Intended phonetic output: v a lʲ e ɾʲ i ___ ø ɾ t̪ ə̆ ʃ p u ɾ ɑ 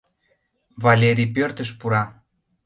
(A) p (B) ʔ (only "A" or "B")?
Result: A